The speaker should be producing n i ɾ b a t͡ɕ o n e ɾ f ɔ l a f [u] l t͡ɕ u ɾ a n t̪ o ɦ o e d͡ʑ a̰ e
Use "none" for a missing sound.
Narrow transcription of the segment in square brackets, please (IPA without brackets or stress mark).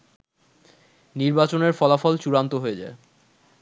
ɔ